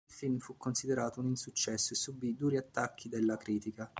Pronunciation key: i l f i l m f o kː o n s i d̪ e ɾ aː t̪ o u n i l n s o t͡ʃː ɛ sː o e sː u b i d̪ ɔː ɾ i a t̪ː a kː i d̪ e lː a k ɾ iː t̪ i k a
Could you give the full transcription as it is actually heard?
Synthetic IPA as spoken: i l f i l m f u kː o n s i d̪ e ɾ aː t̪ o u n i n s u t͡ʃː ɛ sː o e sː u b i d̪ uː ɾ i a t̪ː a kː i d̪ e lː a k ɾ iː t̪ i k a

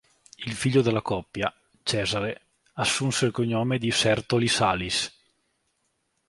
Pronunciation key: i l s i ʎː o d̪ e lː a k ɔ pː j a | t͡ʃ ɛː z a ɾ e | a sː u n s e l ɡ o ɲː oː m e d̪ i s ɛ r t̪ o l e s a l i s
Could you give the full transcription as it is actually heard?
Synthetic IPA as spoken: i l f i ʎː o d̪ e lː a k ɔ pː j a | t͡ʃ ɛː z a ɾ e | a sː u n s e l k o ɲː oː m e d̪ i s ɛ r t̪ o l i s a l i s

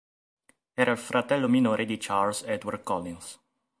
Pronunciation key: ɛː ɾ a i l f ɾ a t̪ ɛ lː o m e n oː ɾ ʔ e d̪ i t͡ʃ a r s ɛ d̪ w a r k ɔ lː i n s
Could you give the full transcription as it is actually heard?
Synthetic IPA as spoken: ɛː ɾ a i l f ɾ a t̪ ɛ lː o m i n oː ɾ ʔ e d̪ i t͡ʃ a l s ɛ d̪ w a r k ɔ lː i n s

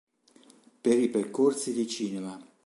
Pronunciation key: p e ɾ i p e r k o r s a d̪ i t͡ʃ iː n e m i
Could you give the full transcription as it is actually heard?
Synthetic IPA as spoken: p e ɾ i p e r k o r s i d̪ i t͡ʃ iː n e m a

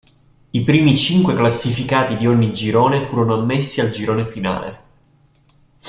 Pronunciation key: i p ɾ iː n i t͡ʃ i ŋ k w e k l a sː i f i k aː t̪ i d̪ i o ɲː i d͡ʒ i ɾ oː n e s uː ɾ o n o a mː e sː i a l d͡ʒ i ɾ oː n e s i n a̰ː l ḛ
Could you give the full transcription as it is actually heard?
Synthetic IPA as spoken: i p ɾ iː m i t͡ʃ i ŋ k w e k l a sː i f i k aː t̪ i d̪ i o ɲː i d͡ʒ i ɾ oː n e f uː ɾ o n o a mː e sː i a l d͡ʒ i ɾ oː n e f i n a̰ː l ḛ

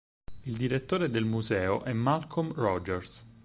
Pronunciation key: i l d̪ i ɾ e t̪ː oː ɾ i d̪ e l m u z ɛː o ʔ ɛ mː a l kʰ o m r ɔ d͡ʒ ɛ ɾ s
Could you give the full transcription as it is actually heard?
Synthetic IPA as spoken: i l d̪ i ɾ e t̪ː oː ɾ e d̪ e l m u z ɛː o ʔ ɛ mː a l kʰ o m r ɔ d͡ʒ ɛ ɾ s

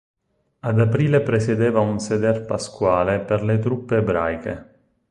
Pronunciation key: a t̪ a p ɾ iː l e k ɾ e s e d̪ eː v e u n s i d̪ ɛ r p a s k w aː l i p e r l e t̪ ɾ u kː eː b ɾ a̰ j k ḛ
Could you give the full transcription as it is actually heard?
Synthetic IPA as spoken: a d̪ a p ɾ iː l e p ɾ e s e d̪ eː v a u n s e d̪ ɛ r p a s k w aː l e p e r l e t̪ ɾ u pː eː b ɾ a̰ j k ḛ

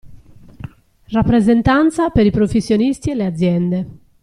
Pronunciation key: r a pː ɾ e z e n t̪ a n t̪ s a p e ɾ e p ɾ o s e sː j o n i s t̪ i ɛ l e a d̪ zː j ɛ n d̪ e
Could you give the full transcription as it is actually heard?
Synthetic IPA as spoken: r a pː ɾ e z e n t̪ a n t̪ s a p e ɾ i p ɾ o f e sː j o n i s t̪ i ɛ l e a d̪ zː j ɛ n d̪ e

